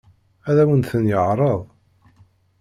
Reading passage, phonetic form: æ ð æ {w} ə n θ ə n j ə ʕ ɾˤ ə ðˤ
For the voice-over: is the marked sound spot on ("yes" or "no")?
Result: yes